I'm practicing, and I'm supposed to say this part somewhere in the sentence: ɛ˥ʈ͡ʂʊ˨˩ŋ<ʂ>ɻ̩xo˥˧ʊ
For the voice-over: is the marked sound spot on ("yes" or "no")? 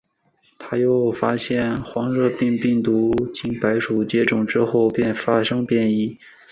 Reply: no